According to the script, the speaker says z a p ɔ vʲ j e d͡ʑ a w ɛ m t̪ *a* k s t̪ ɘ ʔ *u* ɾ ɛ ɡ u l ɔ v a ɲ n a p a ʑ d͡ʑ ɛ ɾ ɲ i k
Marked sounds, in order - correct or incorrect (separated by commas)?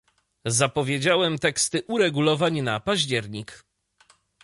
incorrect, correct